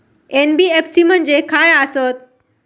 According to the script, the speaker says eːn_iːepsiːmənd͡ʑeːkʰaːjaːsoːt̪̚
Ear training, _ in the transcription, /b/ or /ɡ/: b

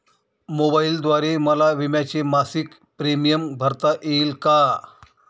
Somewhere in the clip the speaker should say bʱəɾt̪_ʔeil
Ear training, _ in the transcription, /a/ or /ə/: a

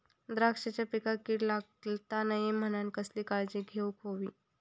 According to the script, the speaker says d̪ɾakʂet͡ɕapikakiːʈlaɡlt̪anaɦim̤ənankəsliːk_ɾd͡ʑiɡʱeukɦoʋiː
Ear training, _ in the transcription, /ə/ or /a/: a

